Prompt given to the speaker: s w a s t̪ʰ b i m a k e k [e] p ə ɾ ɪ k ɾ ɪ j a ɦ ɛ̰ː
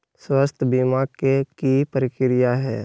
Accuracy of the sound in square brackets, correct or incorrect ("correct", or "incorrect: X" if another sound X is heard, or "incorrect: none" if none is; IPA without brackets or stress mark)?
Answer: incorrect: i